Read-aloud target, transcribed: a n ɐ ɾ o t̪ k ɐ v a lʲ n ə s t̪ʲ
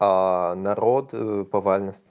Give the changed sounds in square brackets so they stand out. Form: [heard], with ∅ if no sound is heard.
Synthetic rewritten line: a n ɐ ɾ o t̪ [p] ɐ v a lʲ n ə s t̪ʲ